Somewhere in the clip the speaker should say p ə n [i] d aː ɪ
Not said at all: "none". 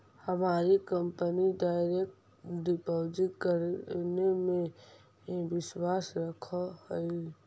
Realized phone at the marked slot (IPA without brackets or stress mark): i